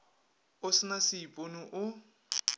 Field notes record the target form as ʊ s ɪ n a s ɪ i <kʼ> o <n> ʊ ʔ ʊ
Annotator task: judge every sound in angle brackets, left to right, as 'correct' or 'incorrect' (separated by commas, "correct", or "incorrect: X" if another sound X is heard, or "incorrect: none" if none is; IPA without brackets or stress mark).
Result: incorrect: pʼ, correct